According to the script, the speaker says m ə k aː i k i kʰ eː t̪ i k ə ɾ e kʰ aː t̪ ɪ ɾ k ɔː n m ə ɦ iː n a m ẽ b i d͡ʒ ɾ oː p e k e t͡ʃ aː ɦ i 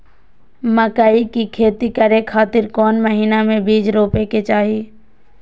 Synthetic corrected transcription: m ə k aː i k i kʰ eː t̪ i k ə ɾ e kʰ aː t̪ ɪ ɾ k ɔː n m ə ɦ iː n a m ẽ b iː d͡ʒ ɾ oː p e k e t͡ʃ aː ɦ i